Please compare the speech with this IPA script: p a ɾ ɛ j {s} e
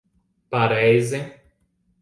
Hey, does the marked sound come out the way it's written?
no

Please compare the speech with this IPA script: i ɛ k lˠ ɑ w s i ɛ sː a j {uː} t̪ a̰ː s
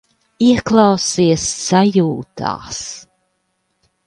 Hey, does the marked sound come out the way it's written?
yes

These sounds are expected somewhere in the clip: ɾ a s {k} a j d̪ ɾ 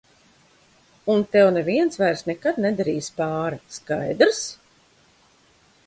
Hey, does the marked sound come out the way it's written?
yes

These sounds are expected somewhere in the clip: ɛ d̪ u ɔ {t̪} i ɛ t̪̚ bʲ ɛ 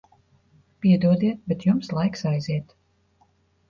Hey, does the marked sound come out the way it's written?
no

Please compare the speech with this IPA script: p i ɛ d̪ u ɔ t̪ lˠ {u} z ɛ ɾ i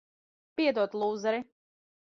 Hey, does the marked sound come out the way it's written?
no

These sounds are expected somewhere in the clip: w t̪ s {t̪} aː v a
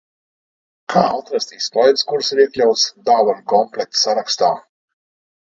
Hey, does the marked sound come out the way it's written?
no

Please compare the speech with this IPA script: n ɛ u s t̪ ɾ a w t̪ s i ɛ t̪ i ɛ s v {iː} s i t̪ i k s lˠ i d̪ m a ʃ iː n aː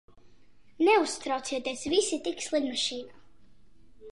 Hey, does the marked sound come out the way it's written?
no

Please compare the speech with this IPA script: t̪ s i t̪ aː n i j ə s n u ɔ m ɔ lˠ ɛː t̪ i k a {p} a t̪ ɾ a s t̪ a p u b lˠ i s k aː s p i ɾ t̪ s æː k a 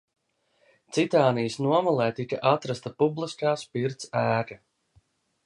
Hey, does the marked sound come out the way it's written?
no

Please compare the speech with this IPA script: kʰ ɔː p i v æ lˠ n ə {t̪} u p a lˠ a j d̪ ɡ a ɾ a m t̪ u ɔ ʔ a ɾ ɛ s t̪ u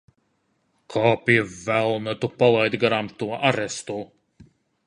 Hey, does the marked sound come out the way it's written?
yes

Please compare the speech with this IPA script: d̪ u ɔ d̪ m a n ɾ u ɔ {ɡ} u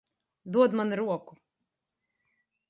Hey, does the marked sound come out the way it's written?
no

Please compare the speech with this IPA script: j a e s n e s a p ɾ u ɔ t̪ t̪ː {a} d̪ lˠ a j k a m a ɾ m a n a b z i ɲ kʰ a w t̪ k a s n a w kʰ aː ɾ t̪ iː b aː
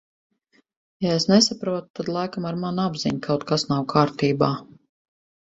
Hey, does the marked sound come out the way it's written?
yes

